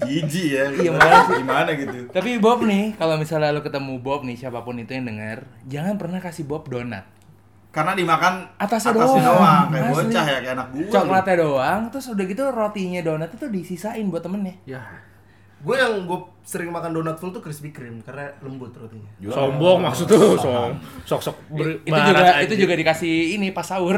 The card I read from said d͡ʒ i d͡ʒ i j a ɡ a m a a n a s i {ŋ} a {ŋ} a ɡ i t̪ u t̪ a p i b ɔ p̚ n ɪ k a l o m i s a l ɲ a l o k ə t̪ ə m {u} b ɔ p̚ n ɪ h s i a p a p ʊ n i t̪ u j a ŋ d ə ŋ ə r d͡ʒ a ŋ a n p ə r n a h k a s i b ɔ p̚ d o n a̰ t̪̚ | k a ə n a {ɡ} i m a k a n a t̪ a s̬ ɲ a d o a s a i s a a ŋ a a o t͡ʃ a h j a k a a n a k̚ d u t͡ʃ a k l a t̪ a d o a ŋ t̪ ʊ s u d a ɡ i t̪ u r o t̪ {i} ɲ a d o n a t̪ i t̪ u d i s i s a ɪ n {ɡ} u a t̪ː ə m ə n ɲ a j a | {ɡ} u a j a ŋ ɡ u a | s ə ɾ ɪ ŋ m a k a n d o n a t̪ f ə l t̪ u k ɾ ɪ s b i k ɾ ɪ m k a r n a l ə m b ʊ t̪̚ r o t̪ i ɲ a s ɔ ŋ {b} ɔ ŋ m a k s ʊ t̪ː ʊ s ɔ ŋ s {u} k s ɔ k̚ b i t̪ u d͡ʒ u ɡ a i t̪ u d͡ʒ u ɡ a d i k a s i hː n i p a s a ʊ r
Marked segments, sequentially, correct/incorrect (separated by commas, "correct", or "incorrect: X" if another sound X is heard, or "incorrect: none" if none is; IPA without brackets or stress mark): incorrect: m, incorrect: n, correct, incorrect: d, correct, incorrect: b, correct, correct, incorrect: ɔ